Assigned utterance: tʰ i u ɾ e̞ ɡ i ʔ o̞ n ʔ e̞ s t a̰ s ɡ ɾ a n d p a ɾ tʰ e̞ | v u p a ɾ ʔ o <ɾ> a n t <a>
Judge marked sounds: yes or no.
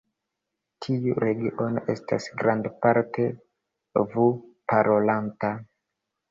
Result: no, yes

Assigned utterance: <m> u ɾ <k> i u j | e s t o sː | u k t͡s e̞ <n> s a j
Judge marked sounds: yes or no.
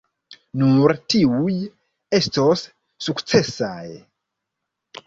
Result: no, no, no

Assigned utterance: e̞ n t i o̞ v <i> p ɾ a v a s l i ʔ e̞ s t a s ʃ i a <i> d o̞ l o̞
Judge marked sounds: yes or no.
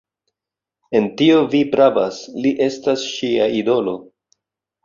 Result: yes, yes

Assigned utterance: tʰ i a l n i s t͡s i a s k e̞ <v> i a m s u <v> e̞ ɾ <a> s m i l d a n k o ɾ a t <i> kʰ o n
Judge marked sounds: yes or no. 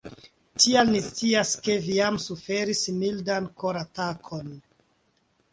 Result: yes, no, no, no

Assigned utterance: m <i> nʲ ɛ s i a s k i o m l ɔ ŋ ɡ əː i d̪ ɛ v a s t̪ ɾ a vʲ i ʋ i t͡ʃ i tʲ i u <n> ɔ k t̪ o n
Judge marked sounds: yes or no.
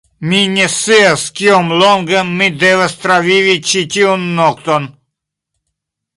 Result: yes, no

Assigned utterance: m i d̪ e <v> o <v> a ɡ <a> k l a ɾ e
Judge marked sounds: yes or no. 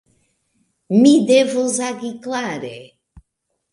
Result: yes, no, no

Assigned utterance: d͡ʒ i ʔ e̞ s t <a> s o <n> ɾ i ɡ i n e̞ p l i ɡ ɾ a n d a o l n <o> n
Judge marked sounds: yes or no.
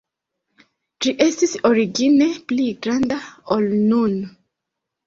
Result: no, no, no

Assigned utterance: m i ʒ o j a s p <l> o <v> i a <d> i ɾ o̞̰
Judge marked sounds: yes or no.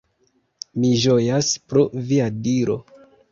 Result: no, yes, yes

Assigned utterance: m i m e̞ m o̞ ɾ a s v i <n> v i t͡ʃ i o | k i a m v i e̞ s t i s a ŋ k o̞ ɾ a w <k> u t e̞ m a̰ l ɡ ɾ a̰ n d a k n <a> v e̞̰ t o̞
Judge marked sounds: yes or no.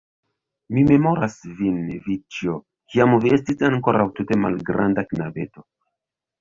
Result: yes, no, yes

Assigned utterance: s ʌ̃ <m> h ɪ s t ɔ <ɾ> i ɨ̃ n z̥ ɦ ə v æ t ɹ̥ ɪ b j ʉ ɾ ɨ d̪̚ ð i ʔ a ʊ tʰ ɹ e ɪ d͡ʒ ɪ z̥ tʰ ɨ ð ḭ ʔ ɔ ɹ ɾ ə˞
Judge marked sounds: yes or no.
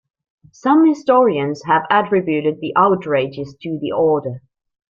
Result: yes, no

